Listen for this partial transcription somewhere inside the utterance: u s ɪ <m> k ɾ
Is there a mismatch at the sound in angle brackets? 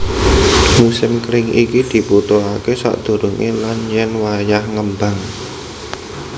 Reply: no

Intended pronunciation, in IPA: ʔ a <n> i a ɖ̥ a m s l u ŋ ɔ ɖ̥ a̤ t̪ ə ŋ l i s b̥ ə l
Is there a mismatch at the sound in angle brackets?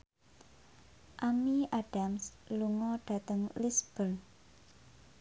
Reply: yes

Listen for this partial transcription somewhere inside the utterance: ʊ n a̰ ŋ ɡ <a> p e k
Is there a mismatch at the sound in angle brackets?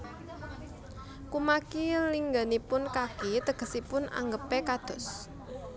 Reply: yes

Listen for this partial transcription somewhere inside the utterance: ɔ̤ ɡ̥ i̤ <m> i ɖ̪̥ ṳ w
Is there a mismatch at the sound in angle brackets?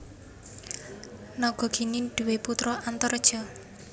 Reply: yes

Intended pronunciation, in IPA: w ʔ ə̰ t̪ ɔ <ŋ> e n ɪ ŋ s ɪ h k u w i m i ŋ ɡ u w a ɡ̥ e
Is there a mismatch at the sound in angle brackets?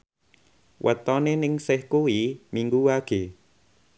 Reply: yes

